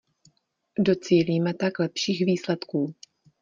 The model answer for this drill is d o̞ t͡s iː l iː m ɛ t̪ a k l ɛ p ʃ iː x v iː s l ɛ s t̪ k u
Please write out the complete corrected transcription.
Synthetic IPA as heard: d o̞ t͡s iː l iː m ɛ t̪ a k l ɛ p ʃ iː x v iː s l ɛ t̪ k uː